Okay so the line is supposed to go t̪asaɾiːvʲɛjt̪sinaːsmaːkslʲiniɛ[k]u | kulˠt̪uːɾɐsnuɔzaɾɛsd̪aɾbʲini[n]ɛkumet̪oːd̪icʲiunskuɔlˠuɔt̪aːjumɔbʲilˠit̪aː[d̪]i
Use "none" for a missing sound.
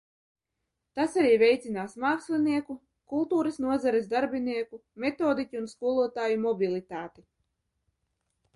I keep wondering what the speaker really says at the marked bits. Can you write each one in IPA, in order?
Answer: k, none, t̪

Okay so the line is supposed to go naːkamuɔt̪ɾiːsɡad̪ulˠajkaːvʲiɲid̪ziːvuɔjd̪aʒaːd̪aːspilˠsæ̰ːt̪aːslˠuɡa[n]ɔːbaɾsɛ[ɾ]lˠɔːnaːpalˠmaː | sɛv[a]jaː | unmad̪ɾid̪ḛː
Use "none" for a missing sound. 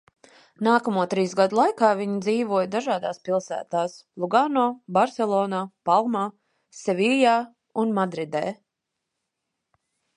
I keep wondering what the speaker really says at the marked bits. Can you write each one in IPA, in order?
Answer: n, none, i

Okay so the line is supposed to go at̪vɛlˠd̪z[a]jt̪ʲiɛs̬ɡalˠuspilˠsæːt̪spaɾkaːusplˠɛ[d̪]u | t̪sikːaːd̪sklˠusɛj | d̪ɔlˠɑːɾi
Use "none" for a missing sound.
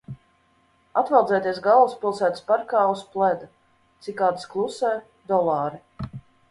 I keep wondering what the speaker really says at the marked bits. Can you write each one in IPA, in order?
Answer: ɛ, d̪

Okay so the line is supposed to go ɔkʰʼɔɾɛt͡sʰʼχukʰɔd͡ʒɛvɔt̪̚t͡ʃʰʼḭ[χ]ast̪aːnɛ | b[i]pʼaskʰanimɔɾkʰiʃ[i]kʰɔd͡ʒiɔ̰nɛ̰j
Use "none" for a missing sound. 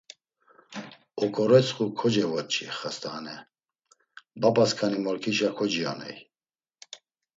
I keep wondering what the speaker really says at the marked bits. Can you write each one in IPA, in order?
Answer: χ, a, a

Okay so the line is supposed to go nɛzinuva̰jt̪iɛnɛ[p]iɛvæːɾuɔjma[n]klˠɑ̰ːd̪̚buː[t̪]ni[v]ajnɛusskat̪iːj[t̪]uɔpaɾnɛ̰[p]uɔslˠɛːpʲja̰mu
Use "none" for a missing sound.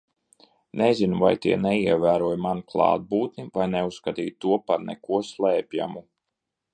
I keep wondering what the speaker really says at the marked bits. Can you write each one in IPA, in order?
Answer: none, n, t̪, v, t̪, k

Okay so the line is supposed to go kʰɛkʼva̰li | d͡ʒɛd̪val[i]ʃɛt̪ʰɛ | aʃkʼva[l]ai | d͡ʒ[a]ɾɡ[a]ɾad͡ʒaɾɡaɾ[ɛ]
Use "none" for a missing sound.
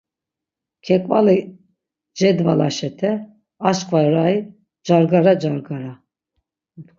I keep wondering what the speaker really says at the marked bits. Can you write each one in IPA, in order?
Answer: a, ɾ, a, a, a

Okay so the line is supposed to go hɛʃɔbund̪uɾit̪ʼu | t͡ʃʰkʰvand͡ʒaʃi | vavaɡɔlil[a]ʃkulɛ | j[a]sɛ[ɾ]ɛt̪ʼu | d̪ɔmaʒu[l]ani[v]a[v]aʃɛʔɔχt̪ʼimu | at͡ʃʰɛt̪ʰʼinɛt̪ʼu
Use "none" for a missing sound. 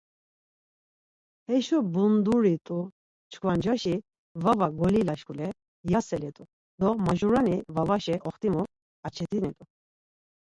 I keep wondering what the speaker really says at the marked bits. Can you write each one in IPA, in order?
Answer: a, a, l, ɾ, v, v

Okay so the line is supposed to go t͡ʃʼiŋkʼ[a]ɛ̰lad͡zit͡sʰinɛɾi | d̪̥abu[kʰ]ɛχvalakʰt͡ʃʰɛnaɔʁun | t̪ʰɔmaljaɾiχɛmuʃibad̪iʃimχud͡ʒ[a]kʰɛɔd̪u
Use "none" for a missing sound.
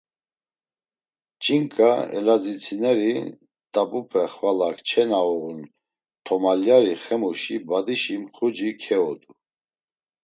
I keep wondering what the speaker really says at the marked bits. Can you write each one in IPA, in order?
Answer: a, pʰ, i

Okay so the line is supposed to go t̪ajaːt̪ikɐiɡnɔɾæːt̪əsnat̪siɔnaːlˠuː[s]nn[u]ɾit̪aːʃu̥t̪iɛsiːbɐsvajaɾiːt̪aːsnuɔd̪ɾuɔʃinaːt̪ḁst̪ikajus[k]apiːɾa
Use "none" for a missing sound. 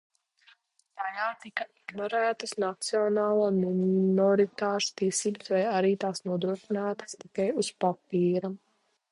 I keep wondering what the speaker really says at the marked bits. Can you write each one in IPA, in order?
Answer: none, ɔ, p

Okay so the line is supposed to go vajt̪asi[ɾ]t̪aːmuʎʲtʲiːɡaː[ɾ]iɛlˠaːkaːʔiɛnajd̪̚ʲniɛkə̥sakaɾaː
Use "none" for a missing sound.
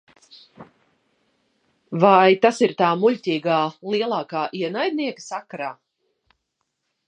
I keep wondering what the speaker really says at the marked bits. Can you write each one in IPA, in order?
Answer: ɾ, l

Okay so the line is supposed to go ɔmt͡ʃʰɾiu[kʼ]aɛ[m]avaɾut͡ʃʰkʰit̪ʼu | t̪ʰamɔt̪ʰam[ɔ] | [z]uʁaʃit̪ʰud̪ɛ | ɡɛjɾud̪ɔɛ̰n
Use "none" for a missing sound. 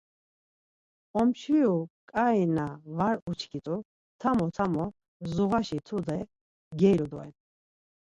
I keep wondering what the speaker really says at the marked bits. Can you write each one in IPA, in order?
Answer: kʼ, n, ɔ, z

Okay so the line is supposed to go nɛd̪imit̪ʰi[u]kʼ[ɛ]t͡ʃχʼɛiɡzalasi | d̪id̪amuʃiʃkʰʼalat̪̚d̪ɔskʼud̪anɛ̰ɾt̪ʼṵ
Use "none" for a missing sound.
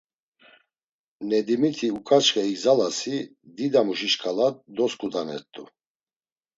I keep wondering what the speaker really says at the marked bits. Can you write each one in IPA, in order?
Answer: u, a

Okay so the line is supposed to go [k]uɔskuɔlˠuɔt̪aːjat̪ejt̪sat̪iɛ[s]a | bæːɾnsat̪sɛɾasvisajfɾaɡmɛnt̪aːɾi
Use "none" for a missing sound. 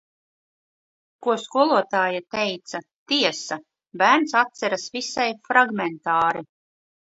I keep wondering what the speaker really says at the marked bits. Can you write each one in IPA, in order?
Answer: k, s

